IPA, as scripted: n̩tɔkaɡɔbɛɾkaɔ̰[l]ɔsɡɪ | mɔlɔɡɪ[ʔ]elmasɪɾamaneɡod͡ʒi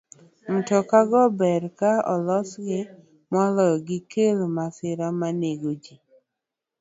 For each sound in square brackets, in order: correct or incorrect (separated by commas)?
correct, incorrect